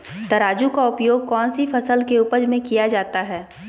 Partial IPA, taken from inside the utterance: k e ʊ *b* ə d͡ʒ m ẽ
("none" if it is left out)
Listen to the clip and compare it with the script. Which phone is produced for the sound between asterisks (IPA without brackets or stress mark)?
p